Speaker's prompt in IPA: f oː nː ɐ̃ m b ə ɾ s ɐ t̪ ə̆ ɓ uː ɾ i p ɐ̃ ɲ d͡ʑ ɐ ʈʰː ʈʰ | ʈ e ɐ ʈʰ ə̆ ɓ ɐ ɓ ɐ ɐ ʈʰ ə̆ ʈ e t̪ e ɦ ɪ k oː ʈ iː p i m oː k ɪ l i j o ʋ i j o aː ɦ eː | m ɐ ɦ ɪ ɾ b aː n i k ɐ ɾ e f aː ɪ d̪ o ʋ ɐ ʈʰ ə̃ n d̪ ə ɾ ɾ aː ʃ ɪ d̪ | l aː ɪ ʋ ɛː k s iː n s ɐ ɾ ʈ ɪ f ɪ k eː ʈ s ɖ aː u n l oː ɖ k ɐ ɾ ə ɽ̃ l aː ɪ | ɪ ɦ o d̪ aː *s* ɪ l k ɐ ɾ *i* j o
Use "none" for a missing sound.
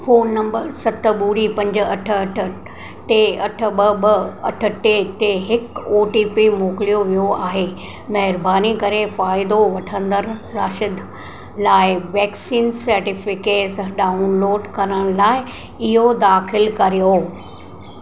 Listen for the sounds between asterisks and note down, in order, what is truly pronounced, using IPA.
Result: x, i

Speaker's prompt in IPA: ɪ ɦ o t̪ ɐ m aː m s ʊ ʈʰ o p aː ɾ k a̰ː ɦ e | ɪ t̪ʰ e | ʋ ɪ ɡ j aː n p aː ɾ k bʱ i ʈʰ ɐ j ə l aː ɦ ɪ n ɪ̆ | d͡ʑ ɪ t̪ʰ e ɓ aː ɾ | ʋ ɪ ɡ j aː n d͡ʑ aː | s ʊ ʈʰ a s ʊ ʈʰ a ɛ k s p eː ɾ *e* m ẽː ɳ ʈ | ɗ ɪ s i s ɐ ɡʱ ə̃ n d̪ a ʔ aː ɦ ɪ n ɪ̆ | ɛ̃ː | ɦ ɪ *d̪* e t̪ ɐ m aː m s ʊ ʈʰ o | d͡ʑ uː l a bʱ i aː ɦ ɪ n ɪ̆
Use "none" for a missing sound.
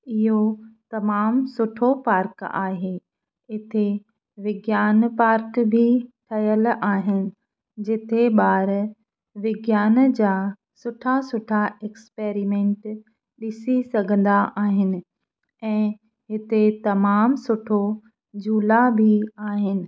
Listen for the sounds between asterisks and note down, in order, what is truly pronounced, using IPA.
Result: i, t̪

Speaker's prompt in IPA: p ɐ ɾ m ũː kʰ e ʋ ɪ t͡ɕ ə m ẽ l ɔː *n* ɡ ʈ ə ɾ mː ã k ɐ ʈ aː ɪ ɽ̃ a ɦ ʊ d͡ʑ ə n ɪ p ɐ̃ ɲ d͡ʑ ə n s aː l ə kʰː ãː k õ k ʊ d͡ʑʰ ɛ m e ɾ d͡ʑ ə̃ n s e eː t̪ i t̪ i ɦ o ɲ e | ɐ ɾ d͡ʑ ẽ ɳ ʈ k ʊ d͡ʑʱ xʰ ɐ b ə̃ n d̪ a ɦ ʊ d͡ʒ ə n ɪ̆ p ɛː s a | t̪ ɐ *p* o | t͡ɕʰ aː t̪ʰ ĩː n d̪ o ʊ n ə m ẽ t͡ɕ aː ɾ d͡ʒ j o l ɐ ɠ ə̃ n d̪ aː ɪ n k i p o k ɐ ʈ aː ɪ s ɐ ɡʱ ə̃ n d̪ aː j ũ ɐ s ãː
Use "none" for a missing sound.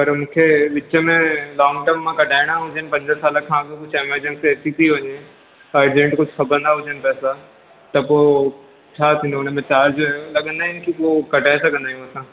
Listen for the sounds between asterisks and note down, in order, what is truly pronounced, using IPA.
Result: ŋ, p

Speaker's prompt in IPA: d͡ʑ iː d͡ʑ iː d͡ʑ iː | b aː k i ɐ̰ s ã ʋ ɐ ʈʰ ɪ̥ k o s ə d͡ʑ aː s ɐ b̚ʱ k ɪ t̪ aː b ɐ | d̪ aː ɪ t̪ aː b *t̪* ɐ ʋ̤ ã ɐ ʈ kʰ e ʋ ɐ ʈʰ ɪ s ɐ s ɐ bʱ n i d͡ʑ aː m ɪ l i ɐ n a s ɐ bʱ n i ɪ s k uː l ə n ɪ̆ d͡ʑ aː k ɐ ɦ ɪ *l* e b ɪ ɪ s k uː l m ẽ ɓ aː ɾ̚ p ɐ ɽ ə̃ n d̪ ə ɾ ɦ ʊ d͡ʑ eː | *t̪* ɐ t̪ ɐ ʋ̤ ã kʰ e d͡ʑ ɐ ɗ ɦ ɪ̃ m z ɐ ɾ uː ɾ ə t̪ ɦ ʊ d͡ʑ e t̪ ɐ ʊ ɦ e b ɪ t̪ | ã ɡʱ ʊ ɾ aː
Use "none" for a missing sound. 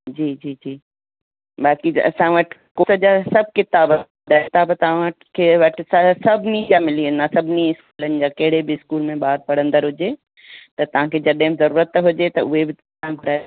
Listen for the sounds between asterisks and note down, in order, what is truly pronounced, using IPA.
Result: t̪, ɽ, t̪

